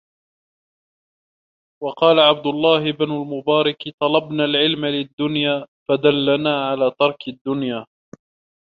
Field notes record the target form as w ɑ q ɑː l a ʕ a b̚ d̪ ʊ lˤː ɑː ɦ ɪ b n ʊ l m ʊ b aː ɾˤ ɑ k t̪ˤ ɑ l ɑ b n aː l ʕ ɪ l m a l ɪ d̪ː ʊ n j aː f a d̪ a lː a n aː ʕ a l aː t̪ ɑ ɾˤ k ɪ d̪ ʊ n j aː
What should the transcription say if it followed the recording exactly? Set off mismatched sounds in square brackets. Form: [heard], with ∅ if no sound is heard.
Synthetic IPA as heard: w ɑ q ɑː l a ʕ a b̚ d̪ ʊ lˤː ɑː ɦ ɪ b n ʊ l m ʊ b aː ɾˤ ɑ k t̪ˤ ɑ l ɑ b n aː l ʕ ɪ l m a l ɪ d̪ː ʊ n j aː f a d̪ a lː a n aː ʕ a l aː t̪ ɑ ɾˤ k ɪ [d̪ː] ʊ n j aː